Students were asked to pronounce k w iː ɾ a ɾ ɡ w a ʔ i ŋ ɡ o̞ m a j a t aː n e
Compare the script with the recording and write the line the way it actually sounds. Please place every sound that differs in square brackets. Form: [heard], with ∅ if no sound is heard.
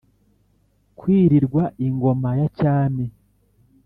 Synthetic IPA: k w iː ɾ [i] ɾ ɡ w a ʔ i ŋ ɡ o̞ m a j a [c] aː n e